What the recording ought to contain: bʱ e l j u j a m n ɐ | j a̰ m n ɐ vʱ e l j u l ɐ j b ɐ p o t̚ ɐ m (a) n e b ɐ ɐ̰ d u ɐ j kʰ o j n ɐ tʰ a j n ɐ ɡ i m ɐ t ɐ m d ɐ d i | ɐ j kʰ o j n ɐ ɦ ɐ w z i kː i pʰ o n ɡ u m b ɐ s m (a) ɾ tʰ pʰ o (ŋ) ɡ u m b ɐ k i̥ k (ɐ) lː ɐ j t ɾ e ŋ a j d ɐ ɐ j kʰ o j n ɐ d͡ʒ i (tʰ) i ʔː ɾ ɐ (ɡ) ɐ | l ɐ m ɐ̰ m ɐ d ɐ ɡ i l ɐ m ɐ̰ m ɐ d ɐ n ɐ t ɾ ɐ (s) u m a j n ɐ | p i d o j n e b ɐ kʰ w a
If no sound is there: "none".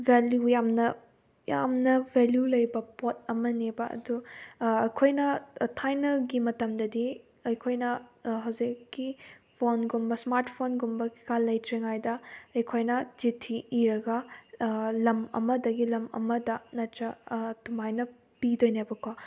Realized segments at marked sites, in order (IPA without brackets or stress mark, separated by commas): ɐ, a, n, a, tʰ, ɡ, t